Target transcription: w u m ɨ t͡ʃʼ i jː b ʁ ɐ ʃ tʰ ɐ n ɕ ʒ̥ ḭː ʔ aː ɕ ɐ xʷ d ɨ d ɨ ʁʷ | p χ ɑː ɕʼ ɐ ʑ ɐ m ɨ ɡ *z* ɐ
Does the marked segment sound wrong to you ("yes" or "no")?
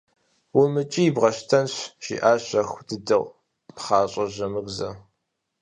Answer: no